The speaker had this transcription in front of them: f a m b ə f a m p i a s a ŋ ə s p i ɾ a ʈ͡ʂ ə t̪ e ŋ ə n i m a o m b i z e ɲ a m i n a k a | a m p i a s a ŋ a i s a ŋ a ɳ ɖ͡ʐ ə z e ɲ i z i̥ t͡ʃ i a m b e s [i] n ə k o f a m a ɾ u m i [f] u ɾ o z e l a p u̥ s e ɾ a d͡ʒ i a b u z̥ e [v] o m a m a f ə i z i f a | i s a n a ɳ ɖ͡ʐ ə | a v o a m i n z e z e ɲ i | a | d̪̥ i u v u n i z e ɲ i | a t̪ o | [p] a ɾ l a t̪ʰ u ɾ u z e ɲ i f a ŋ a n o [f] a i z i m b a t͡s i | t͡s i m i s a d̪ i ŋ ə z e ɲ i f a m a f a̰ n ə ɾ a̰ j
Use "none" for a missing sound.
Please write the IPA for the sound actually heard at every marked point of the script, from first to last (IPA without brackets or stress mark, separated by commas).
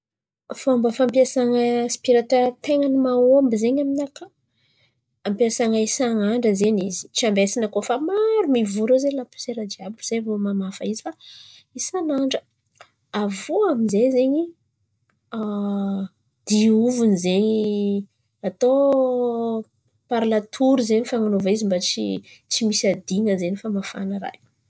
i, v, v, p, v